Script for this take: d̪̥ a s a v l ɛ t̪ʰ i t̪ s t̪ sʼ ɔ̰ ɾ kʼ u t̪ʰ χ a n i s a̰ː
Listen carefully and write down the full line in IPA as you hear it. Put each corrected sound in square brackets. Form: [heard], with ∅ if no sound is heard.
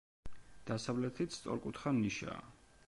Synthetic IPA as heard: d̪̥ a s a v l ɛ t̪ʰ i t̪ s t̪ sʼ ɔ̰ ɾ kʼ u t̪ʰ χ a n i [ʃ] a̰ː